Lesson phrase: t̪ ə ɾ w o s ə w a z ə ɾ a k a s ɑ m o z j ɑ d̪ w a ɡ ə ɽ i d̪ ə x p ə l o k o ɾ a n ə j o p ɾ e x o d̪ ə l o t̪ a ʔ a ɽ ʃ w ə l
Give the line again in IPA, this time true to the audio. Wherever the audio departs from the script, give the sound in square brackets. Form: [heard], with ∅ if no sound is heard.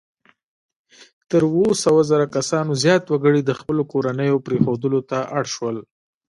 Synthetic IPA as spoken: t̪ ə ɾ w o s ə w a z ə ɾ a k a s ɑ [n] o z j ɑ [t̪] w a ɡ ə ɽ i d̪ ə x p ə l o k o ɾ a n ə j o p ɾ e x o d̪ ə l o t̪ a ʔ a ɽ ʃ w ə l